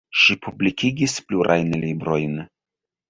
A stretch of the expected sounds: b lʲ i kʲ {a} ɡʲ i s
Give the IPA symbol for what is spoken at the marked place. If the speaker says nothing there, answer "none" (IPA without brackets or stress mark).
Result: i